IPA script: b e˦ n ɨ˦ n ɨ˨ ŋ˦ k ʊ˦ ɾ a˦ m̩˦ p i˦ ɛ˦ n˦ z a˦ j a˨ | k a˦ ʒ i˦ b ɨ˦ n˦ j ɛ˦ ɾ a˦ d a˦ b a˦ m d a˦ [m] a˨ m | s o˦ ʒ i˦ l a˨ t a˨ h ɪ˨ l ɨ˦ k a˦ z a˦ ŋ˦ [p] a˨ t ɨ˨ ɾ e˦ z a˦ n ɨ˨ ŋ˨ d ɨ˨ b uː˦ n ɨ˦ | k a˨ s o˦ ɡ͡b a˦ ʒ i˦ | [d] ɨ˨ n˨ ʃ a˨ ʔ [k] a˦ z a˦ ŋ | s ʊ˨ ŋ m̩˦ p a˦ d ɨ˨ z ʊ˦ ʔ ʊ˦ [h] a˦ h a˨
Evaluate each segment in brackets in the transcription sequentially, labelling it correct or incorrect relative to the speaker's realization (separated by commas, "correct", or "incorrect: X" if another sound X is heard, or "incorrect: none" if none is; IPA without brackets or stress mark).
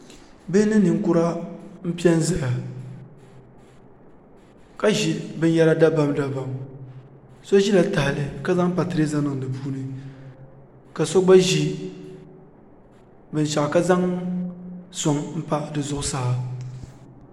incorrect: b, correct, incorrect: b, correct, incorrect: s